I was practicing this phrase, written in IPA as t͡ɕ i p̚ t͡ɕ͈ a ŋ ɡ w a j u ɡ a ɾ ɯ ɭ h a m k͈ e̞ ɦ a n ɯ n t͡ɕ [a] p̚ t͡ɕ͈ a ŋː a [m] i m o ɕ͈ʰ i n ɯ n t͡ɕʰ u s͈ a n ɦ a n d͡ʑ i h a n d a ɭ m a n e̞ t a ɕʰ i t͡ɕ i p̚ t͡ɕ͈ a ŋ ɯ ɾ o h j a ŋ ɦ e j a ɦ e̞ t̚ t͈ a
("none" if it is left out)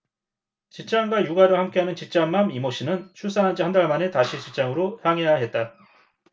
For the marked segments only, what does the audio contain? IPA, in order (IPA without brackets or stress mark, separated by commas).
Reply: i, m